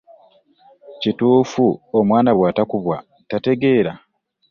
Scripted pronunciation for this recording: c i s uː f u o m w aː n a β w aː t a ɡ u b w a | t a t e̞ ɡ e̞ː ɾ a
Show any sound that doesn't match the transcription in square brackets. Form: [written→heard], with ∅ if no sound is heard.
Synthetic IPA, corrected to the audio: c i [s→t] uː f u o m w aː n a β w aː t a [ɡ→k] u [b→β] w a | t a t e̞ ɡ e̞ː ɾ a